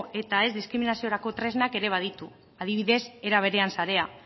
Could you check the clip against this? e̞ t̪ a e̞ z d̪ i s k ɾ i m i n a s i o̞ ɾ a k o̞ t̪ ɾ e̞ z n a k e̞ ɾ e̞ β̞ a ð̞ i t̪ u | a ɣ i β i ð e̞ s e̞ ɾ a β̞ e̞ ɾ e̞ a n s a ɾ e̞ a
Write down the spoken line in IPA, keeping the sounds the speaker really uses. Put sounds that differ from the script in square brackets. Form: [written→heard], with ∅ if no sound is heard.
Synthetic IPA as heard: e̞ t̪ a e̞ z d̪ i s k ɾ i m i n a s i o̞ ɾ a k o̞ t̪ ɾ e̞ z n a k e̞ ɾ e̞ β̞ a ð̞ i t̪ u | a [ɣ→ð] i β i ð e̞ s e̞ ɾ a β̞ e̞ ɾ e̞ a n s a ɾ e̞ a

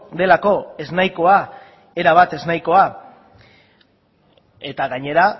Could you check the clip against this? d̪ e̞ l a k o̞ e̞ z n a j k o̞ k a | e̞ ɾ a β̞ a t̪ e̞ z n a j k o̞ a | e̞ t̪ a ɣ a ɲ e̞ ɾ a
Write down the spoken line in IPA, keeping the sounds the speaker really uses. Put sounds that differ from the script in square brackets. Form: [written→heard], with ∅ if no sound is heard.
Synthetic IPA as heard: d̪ e̞ l a k o̞ e̞ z n a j k o̞ [k→∅] a | e̞ ɾ a β̞ a t̪ e̞ z n a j k o̞ a | e̞ t̪ a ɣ a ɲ e̞ ɾ a

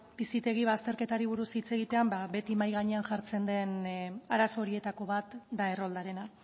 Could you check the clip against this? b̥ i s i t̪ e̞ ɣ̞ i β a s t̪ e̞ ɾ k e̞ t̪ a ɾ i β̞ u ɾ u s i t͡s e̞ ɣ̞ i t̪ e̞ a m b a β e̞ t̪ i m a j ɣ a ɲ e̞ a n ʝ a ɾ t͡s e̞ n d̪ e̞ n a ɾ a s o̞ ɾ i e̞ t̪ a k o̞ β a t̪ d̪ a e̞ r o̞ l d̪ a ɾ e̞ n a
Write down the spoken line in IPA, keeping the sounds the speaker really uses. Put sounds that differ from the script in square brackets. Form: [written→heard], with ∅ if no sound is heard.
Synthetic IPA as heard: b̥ i s i t̪ e̞ ɣ̞ i β a s t̪ e̞ ɾ k e̞ t̪ a ɾ i β̞ u ɾ u s i t͡s e̞ ɣ̞ i t̪ e̞ a m b a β e̞ t̪ i m a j ɣ a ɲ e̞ a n ʝ a ɾ t͡s e̞ n d̪ e̞ n a ɾ a s o̞ ɾ i e̞ t̪ a k o̞ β a t̪ d̪ a e̞ r o̞ l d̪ a ɾ e̞ n a

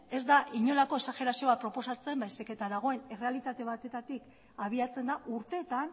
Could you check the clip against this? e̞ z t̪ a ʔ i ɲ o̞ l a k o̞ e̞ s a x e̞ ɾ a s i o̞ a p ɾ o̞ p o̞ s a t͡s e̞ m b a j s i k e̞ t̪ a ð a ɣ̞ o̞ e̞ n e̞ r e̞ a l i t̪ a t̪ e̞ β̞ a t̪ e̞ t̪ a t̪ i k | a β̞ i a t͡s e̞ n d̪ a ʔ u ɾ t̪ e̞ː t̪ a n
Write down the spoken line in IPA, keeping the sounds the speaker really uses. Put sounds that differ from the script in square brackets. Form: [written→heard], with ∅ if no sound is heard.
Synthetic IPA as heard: e̞ z [t̪→d̪] a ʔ i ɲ o̞ l a k o̞ e̞ s a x e̞ ɾ a s i o̞ a p ɾ o̞ p o̞ s a t͡s e̞ m b a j s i k e̞ t̪ a ð a ɣ̞ o̞ e̞ n e̞ r e̞ a l i t̪ a t̪ e̞ β̞ a t̪ e̞ t̪ a t̪ i k | a β̞ i a t͡s e̞ n d̪ a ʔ u ɾ t̪ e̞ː t̪ a n

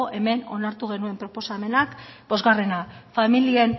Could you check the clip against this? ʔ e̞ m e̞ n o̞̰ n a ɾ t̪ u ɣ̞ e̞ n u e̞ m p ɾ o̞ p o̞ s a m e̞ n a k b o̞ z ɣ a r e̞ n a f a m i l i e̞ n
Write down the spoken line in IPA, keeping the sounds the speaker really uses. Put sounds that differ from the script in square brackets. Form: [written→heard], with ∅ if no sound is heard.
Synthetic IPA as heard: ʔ e̞ m e̞ n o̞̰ n a ɾ t̪ u ɣ̞ e̞ n u e̞ m p ɾ o̞ p o̞ s a m e̞ n a k b o̞ z ɣ a r e̞ n a f a m i l i e̞ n

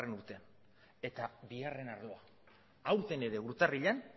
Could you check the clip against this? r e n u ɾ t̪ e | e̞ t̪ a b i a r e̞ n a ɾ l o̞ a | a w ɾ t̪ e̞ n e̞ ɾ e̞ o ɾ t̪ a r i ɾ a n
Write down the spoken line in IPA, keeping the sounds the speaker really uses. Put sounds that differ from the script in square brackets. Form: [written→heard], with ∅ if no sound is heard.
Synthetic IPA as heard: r e n u ɾ t̪ e | e̞ t̪ a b i a r e̞ n a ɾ l o̞ a | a w ɾ t̪ e̞ n e̞ ɾ e̞ [o→u] ɾ t̪ a r i [ɾ→ʎ] a n

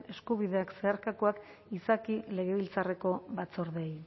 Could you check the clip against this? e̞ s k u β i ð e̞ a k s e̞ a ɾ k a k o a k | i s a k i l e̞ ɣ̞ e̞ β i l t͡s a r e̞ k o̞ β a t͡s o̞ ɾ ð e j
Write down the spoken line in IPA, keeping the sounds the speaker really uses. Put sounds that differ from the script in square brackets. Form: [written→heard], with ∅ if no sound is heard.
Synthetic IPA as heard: e̞ s k u β i ð e̞ a k s e̞ a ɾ k a k o a k | i s a k i l e̞ ɣ̞ e̞ β i l t͡s a r e̞ k o̞ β a t͡s o̞ ɾ ð e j

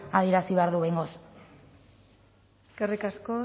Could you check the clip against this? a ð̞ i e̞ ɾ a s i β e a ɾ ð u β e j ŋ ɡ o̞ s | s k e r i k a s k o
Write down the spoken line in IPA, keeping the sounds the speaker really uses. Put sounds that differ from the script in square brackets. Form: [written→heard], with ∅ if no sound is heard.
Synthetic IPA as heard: a ð̞ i e̞ ɾ a s i β e a ɾ ð u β e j ŋ ɡ o̞ s | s k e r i k a s k o

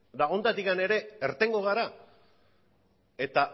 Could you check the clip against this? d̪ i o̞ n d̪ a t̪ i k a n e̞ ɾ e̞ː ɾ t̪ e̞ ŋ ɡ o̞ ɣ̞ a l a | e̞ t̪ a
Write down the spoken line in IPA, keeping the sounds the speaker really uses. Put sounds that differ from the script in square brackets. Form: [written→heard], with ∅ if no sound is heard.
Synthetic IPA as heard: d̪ [i→a] o̞ n d̪ a t̪ i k a n e̞ ɾ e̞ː ɾ t̪ e̞ ŋ ɡ o̞ ɣ̞ a [l→ɾ] a | e̞ t̪ a

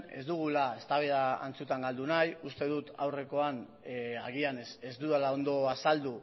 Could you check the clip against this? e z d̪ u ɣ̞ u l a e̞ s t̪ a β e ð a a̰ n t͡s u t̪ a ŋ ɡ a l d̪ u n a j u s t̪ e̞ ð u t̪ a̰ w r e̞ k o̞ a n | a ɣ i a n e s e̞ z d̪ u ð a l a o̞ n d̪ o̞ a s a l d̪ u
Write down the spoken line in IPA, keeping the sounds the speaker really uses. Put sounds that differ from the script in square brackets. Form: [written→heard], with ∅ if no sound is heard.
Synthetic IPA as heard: e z d̪ u ɣ̞ u l a e̞ s t̪ a β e ð a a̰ n t͡s u t̪ a ŋ ɡ a l d̪ u n a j u s t̪ e̞ ð u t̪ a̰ w r e̞ k o̞ a n | a ɣ i a n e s e̞ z d̪ u ð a l a o̞ n d̪ o̞ a s a l d̪ u

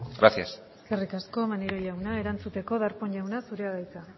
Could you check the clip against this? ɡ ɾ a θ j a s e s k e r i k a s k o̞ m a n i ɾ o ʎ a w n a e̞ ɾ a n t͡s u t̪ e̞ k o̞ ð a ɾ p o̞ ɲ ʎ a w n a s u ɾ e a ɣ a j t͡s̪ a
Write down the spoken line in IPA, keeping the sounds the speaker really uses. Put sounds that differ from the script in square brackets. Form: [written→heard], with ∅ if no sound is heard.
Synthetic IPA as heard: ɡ ɾ a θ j a s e s k e r i k a s k o̞ m a n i ɾ o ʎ a w n a e̞ ɾ a n t͡s u t̪ e̞ k o̞ ð a ɾ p o̞ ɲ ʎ a w n a s u ɾ e a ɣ a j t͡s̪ a

